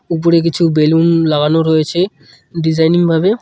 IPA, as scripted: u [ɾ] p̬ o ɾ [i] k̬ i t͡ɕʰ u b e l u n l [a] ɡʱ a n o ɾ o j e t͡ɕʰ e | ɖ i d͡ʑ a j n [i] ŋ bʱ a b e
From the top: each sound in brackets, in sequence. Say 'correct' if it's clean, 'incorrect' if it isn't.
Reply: incorrect, incorrect, correct, correct

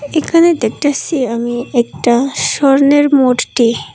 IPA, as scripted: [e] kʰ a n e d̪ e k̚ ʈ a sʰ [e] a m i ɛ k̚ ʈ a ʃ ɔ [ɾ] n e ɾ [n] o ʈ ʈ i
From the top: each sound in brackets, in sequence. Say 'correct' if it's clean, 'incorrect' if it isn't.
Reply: correct, incorrect, correct, incorrect

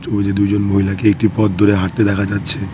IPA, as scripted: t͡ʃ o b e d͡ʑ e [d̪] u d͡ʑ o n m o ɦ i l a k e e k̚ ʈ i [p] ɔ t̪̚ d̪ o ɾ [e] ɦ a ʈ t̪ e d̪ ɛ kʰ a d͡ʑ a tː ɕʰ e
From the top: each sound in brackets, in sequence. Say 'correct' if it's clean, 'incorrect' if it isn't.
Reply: correct, correct, correct

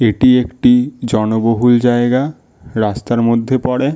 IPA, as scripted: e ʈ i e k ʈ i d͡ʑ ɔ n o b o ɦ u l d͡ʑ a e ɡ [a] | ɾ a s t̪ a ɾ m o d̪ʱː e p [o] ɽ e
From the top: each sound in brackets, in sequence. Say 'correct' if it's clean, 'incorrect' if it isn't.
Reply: correct, incorrect

